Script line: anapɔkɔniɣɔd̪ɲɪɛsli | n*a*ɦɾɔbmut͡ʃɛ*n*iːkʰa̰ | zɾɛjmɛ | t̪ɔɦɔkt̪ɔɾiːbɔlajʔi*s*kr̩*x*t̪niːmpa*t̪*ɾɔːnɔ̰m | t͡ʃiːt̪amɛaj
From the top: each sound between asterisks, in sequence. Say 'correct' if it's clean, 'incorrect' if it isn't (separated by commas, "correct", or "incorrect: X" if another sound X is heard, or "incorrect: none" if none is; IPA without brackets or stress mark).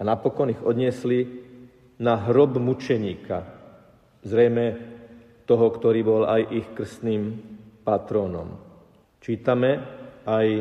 correct, incorrect: ɲ, incorrect: x, incorrect: s, correct